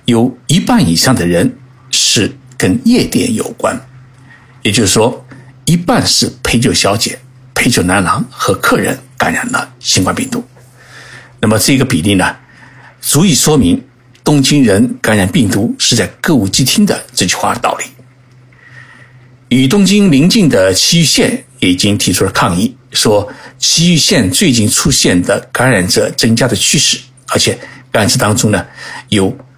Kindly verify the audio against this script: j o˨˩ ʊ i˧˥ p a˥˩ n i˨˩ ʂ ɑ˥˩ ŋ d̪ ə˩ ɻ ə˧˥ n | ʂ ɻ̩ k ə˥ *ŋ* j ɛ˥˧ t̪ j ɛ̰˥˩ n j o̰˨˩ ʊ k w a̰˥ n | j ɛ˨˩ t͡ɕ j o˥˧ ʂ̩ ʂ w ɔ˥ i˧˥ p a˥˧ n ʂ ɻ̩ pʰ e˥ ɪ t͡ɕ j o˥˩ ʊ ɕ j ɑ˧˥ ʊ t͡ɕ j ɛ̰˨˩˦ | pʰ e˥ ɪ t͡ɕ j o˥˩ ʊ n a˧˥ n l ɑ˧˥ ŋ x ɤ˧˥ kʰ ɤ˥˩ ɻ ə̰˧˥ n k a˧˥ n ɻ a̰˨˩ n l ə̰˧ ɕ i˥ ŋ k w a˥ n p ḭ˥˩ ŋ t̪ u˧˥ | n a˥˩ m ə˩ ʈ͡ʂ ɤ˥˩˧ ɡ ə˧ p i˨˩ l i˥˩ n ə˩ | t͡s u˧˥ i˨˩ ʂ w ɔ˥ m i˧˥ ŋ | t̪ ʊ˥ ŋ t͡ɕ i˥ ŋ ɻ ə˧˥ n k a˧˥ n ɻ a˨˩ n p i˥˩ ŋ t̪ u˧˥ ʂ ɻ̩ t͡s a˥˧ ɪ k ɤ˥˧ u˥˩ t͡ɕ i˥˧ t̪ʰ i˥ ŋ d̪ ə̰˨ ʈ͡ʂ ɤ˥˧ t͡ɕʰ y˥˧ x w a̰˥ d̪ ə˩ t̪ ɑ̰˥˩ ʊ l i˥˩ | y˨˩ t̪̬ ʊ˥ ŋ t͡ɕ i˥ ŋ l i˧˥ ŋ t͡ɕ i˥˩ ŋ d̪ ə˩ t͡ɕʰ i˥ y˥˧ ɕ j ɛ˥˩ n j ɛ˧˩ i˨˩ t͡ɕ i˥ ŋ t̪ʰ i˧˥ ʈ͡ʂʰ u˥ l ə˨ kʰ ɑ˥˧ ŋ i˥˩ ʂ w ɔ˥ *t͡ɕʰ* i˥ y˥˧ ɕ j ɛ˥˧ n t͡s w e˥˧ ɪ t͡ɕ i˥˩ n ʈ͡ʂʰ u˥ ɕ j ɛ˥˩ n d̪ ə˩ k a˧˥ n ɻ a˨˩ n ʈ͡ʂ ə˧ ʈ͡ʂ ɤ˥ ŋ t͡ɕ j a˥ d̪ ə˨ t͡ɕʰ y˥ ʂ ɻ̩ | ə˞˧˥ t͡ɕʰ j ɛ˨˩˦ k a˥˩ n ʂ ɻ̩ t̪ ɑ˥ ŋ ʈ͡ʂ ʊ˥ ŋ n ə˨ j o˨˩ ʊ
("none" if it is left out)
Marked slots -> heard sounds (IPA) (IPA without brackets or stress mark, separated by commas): n, t͡ɕʰ